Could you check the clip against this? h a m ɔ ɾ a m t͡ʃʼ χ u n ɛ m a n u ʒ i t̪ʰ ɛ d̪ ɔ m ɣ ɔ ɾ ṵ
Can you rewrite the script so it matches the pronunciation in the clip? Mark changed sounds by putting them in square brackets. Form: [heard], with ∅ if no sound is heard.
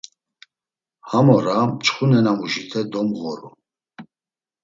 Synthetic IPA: h a m ɔ ɾ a m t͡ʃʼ χ u n ɛ [n] a [m] u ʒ i t̪ʰ ɛ d̪ ɔ m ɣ ɔ ɾ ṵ